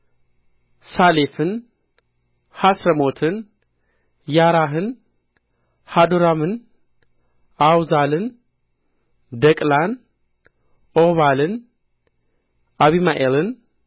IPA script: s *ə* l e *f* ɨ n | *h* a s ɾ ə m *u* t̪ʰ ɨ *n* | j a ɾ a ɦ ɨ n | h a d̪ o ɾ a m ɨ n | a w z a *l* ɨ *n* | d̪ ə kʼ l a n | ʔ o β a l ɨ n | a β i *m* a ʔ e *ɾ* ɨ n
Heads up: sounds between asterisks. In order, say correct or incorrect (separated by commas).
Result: incorrect, correct, correct, incorrect, correct, correct, correct, correct, incorrect